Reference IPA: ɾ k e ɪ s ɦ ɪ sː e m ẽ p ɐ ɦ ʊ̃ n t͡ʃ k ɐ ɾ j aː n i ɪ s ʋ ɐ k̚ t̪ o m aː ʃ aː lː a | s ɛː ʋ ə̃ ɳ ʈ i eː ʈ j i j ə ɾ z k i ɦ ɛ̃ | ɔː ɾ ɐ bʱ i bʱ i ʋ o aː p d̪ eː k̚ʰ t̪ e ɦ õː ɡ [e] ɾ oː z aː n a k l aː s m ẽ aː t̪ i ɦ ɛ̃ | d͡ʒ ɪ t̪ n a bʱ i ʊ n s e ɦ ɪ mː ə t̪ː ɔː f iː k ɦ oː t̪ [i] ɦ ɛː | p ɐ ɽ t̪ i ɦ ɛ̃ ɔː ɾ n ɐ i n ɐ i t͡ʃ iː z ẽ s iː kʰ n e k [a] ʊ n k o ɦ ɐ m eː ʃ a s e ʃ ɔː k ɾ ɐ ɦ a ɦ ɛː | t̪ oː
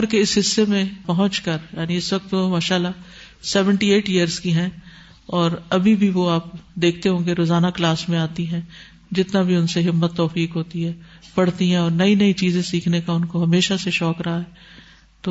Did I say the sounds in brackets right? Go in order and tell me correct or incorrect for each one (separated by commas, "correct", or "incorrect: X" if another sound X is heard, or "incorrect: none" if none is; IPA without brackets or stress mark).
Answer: correct, correct, correct